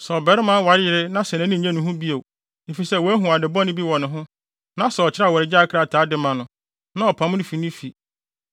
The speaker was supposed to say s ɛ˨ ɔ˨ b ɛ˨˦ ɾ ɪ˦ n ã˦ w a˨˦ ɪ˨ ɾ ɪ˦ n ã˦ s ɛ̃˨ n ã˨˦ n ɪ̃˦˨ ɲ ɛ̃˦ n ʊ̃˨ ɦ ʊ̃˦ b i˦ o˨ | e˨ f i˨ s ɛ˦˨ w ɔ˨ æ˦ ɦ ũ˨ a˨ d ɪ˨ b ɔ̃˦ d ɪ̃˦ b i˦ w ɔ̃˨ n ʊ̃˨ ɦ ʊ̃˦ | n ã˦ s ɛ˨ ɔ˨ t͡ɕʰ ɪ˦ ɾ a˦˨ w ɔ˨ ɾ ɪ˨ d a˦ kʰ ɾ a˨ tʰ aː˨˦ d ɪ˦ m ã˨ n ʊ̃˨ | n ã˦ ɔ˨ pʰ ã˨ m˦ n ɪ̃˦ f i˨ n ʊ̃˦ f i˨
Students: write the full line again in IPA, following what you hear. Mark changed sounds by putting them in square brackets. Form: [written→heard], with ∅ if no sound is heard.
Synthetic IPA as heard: s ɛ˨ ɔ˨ b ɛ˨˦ ɾ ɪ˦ [n→m] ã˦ w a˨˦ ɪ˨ ɾ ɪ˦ n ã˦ s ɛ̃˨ n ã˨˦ n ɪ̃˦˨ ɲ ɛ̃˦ n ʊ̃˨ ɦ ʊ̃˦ b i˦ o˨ | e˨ f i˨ s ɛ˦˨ w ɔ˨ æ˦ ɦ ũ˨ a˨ d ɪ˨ b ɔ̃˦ [d→n] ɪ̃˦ b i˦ w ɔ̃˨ n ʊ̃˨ ɦ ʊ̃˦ | n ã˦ s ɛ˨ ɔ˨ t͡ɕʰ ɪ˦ ɾ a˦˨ w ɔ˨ ɾ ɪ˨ [d→d͡ʑ] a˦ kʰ ɾ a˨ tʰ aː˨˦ d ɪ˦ m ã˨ n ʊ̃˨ | n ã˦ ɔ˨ pʰ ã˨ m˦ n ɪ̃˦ f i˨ n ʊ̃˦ f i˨